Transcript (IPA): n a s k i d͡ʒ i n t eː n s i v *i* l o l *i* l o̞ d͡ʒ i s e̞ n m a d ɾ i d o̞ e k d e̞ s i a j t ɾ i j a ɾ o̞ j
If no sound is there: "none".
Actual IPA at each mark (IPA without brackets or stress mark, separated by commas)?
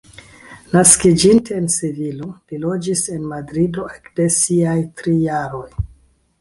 i, i